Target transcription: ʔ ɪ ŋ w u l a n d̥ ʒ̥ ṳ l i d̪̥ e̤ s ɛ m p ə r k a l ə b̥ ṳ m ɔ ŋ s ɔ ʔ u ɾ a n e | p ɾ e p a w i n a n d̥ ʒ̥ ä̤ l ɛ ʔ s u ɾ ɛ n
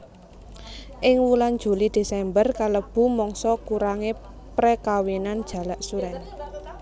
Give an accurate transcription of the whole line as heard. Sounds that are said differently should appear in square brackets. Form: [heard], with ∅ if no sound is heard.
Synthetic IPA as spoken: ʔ ɪ ŋ w u l a n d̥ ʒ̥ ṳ l i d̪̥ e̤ s ɛ m [b] ə r k a l ə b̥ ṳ m ɔ ŋ s ɔ [k] u ɾ a [ŋ] e | p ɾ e [k] a w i n a n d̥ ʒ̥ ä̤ l [a] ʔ s u ɾ ɛ n